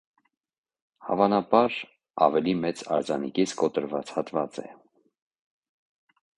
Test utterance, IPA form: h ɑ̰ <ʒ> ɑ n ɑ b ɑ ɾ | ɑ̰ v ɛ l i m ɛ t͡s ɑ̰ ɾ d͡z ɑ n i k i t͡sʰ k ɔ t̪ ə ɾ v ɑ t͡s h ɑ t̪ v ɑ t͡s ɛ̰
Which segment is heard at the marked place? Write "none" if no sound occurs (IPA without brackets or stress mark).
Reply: v